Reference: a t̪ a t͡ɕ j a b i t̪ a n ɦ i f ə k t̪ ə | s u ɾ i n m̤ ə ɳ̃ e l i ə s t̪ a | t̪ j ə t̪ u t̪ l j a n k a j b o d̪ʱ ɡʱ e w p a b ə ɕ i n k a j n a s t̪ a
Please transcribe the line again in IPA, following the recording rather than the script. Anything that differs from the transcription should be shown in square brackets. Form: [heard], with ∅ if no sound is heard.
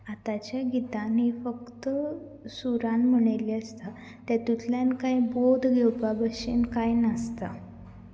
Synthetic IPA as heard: a t̪ a t͡ɕ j a [ɡ] i t̪ a n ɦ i f ə k t̪ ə | s u ɾ [a] n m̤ ə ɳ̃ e l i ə s t̪ a | t̪ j [a] t̪ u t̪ l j a n k a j b o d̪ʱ ɡʱ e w p a b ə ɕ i n k a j n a s t̪ a